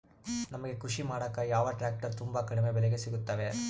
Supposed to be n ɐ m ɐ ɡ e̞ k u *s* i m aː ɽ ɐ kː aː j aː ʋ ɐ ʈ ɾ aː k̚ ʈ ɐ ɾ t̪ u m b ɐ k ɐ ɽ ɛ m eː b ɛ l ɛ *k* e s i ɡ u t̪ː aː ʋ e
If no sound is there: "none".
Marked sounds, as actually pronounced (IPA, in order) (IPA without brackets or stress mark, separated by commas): ʂ, ɡ